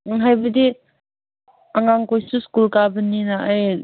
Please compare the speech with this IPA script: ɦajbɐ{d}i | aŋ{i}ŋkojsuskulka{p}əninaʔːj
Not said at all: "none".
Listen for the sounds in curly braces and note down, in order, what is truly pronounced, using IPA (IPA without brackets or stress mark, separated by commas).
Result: d, a, b